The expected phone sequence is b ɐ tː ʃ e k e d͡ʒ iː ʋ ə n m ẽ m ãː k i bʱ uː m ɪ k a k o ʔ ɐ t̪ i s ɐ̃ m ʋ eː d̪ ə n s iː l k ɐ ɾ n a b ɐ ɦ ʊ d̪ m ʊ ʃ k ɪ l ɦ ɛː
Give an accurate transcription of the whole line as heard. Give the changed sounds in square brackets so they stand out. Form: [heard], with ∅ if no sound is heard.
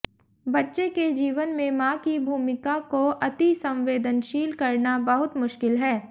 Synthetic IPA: b ɐ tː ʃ e k e d͡ʒ iː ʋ ə n m ẽ m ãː k i bʱ uː m ɪ k a k o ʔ ɐ t̪ i s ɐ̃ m ʋ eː d̪ ə n [ʃ] iː l k ɐ ɾ n a b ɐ ɦ ʊ [t̪] m ʊ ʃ k ɪ l ɦ ɛː